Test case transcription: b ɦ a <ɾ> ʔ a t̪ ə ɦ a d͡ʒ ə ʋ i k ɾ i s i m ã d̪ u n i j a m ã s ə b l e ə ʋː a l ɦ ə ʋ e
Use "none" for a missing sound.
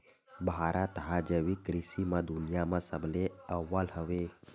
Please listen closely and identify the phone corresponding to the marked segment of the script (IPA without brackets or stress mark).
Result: ɾ